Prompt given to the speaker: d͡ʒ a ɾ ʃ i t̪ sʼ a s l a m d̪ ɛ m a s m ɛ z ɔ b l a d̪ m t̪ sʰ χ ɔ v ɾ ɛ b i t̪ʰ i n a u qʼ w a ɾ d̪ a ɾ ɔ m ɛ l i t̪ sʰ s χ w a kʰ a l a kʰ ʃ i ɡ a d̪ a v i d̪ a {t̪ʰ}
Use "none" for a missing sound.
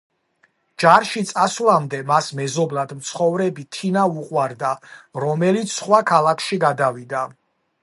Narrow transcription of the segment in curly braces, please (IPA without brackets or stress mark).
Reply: none